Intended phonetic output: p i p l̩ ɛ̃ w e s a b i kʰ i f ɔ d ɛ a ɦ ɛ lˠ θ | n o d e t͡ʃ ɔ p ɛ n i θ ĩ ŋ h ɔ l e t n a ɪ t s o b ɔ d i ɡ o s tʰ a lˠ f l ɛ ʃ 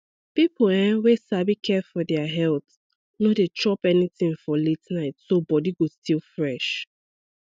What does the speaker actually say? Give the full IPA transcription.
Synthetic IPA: p i p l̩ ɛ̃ w e s a b i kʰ ɛ f ɔ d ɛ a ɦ ɛ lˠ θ | n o d e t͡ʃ ɔ p ɛ n i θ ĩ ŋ f ɔ l e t n a ɪ t s o b ɔ d i ɡ o s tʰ i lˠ f ɹ ɛ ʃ